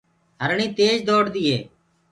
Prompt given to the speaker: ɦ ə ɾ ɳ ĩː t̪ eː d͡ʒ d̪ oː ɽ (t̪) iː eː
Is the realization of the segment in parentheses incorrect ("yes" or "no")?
yes